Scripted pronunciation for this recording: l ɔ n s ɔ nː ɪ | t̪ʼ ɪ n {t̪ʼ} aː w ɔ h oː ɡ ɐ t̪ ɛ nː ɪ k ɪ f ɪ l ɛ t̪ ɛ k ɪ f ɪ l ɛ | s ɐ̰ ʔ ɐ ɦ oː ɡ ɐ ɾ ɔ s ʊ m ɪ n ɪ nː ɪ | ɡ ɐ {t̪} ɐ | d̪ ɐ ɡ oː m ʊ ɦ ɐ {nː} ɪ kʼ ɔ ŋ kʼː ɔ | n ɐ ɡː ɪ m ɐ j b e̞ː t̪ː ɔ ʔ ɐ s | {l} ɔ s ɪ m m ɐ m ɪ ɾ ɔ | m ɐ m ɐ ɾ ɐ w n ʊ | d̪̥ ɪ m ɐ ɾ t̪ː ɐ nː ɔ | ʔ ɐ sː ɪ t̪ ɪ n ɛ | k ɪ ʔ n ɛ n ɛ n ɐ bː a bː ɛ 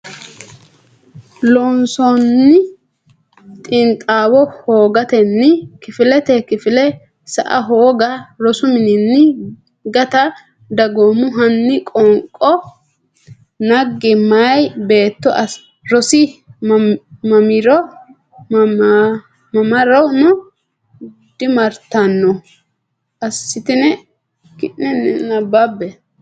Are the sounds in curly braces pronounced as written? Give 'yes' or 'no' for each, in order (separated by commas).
yes, yes, yes, no